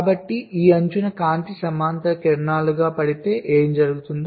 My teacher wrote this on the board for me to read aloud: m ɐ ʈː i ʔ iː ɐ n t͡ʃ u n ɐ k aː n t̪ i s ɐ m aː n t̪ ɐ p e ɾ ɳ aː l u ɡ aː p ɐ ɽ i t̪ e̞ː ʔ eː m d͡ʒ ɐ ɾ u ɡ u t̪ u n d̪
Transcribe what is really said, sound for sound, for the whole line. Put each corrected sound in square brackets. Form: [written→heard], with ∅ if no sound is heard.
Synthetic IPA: [m→b] ɐ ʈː i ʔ iː ɐ [n→ɲ] t͡ʃ u n ɐ k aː n t̪ i s ɐ m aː n t̪ ɐ [p→k] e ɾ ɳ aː l u ɡ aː p ɐ ɽ i t̪ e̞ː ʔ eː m d͡ʒ ɐ ɾ u ɡ u t̪ u n d̪